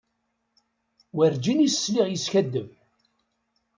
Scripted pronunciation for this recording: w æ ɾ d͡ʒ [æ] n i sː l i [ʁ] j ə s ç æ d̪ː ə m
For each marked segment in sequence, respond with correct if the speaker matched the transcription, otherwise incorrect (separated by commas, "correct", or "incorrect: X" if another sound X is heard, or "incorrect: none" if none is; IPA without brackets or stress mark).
incorrect: i, correct